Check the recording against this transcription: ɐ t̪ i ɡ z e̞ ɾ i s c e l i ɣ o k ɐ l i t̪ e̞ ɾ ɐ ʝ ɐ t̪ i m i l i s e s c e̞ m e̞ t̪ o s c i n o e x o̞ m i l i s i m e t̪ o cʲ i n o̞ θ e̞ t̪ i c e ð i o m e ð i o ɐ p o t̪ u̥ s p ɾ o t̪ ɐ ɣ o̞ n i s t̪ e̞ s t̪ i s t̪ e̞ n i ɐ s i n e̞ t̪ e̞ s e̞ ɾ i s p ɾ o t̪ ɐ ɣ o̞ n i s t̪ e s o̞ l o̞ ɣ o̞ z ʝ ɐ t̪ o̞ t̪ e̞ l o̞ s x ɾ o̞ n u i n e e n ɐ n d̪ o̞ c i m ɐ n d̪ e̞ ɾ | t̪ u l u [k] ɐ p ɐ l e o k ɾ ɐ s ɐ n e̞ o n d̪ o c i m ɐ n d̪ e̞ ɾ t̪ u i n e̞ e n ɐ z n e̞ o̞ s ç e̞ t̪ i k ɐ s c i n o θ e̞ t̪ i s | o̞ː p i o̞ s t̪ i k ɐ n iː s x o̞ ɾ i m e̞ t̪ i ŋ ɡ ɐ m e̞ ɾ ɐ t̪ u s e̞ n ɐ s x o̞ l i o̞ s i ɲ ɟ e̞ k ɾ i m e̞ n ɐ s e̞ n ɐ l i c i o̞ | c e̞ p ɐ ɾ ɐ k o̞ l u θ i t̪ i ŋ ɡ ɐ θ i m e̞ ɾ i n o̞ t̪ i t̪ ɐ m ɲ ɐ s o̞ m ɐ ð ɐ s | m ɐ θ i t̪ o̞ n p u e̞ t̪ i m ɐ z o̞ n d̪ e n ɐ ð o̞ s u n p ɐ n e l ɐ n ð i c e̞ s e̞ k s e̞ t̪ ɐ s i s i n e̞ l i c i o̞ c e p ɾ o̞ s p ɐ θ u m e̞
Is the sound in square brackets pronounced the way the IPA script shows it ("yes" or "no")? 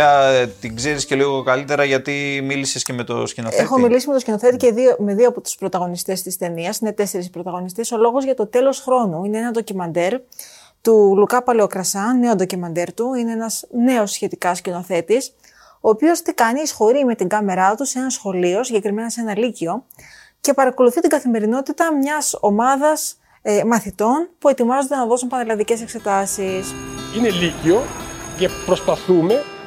yes